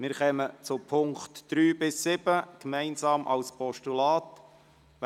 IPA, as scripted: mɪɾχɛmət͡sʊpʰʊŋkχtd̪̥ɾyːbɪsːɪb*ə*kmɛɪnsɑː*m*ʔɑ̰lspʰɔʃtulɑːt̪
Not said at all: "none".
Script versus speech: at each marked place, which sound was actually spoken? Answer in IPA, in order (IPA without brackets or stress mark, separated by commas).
ə, m